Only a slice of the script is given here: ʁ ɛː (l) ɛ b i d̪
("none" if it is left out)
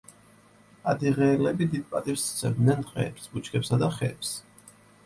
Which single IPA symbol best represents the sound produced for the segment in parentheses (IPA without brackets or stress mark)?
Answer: l